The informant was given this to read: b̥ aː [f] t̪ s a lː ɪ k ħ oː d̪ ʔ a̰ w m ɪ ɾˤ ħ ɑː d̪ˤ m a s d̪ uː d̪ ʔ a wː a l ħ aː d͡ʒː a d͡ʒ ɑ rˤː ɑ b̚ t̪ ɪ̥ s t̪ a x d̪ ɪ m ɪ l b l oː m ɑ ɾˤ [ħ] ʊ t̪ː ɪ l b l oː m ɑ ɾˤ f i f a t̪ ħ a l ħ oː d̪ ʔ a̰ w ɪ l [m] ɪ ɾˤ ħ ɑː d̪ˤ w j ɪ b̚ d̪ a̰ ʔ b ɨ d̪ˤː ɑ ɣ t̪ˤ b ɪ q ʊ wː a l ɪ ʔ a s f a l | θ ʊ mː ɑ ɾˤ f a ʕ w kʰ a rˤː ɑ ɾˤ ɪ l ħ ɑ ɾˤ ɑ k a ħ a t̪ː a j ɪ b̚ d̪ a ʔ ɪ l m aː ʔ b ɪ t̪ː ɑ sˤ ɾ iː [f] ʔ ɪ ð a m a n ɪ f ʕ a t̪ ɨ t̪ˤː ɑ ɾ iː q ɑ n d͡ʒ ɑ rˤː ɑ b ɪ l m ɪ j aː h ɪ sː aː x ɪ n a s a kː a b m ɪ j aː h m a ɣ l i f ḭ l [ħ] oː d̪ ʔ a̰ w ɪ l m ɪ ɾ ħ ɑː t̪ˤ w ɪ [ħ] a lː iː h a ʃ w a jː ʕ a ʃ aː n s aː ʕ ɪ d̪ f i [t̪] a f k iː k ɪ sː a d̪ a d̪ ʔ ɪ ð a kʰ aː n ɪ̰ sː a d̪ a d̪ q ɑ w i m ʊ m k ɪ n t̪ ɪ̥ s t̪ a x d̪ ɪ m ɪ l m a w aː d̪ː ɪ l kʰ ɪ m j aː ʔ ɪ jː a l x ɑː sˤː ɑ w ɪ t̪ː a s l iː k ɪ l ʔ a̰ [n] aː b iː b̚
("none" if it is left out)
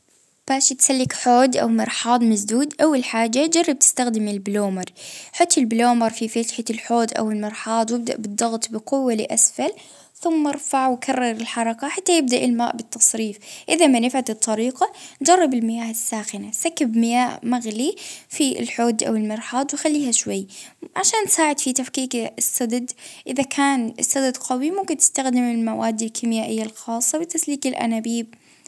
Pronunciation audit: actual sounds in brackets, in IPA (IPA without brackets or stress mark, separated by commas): ʃ, ħ, m, f, ħ, x, t̪, n